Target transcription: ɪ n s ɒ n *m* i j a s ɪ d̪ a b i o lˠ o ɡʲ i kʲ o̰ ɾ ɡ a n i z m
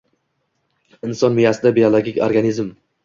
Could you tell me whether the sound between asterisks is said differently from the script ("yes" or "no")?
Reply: no